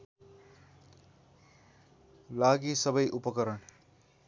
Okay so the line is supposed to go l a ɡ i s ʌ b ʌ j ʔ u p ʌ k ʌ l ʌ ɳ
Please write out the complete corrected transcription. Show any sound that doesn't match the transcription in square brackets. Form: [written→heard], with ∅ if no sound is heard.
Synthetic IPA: l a ɡ i s ʌ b ʌ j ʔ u p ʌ k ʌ [l→ɾ] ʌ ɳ